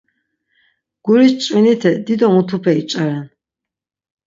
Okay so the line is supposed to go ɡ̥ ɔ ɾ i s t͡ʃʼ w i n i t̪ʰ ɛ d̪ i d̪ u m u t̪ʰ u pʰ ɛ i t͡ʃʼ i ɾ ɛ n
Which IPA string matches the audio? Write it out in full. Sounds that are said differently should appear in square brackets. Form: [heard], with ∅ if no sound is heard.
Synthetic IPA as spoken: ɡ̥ [u] ɾ i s t͡ʃʼ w i n i t̪ʰ ɛ d̪ i d̪ [ɔ] m u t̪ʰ u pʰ ɛ i t͡ʃʼ [a] ɾ ɛ n